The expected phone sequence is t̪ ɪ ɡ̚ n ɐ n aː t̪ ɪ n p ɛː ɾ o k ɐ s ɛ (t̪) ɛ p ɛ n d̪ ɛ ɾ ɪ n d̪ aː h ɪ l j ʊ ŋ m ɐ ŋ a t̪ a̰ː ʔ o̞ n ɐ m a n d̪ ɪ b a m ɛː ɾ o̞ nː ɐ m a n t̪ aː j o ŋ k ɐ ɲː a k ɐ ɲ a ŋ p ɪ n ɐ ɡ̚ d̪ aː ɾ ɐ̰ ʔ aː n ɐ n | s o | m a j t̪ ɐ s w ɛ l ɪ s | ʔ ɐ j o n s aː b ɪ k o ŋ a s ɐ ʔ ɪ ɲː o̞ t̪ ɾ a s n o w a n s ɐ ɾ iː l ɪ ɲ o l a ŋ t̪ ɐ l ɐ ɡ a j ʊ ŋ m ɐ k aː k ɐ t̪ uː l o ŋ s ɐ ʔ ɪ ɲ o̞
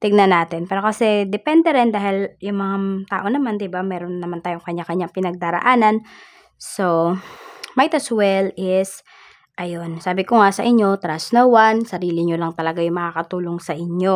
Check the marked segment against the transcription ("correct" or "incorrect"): incorrect